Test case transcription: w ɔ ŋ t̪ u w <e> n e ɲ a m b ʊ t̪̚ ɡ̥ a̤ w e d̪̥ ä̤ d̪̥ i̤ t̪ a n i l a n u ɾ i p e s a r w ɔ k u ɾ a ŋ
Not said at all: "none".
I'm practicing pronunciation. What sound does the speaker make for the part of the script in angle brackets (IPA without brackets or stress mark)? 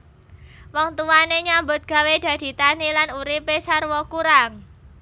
a